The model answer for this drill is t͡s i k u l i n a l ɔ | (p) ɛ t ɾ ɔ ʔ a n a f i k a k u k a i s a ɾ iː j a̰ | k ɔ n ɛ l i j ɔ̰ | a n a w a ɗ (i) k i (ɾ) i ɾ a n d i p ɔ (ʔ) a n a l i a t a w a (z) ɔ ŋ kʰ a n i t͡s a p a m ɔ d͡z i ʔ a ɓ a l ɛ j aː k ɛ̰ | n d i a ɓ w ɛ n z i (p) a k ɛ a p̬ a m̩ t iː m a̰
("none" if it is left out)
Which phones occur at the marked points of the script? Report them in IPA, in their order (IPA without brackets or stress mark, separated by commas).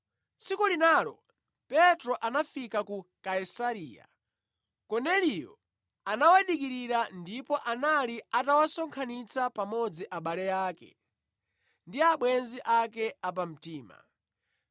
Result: p, i, ɾ, ʔ, s, ʔ